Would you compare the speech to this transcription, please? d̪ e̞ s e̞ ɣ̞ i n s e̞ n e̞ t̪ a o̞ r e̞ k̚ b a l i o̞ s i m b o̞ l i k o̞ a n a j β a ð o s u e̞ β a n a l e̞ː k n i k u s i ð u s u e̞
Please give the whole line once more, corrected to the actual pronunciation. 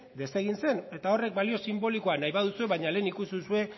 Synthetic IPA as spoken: d̪ e̞ s e̞ ɣ̞ i n s e̞ n e̞ t̪ a o̞ r e̞ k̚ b a l i o̞ s i m b o̞ l i k o̞ a n a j β a ð u s u e̞ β a ɲ a l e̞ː n i k u s i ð u s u e̞